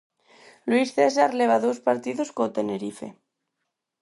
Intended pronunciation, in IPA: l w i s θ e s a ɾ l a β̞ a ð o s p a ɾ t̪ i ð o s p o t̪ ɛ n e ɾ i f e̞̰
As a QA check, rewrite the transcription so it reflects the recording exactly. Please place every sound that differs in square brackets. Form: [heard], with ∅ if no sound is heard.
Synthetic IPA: l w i s θ e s a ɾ l [e] β̞ a ð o s p a ɾ t̪ i ð o s [k] o t̪ [e] n e ɾ i f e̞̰